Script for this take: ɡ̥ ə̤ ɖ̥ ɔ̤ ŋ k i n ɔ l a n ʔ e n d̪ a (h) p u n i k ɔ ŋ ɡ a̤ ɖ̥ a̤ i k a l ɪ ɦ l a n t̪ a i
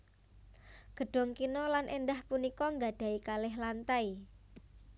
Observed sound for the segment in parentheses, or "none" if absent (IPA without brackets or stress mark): h